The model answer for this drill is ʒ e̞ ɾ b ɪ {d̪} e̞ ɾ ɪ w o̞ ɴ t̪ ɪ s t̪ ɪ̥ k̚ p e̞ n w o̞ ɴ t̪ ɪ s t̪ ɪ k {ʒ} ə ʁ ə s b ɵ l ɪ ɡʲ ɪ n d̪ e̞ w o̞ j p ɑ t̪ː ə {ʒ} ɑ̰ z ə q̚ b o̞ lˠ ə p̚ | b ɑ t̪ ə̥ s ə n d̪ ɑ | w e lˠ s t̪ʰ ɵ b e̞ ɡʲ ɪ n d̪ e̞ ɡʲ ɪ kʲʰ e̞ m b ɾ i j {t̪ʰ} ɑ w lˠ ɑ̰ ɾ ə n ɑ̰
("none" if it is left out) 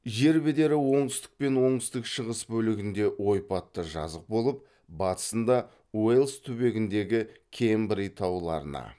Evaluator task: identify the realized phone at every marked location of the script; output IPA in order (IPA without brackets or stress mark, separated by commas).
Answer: d̪, ʃ, ʒ, t̪ʰ